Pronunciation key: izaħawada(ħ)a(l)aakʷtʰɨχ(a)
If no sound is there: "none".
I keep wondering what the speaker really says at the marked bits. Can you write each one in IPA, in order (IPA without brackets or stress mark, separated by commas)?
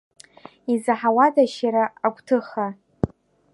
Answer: ʃ, ɾ, a